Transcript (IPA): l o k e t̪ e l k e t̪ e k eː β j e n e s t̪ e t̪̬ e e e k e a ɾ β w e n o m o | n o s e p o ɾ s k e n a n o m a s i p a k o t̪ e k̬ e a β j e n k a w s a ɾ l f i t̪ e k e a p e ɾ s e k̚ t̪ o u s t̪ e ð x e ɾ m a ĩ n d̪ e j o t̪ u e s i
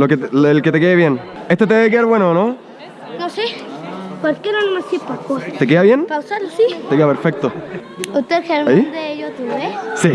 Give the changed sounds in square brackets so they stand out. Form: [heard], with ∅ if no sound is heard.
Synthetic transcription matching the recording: l o k e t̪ e l k e t̪ e k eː β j e n e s t̪ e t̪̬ e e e k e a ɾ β w e n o [n] o | n o s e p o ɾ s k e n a n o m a s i p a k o t̪ e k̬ e a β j e n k a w s a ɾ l [s] i t̪ e k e a p e ɾ [f] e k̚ t̪ o u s t̪ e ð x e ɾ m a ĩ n d̪ e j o t̪ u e s i